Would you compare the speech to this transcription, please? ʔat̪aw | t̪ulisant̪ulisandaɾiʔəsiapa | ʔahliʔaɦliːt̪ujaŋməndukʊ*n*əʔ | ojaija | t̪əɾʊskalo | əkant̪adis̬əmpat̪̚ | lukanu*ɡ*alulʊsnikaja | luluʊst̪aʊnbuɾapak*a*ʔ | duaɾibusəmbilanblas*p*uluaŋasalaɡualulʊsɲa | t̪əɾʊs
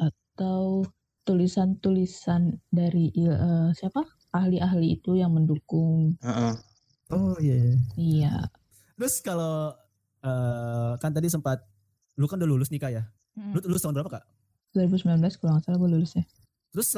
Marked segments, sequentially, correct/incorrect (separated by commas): incorrect, incorrect, correct, incorrect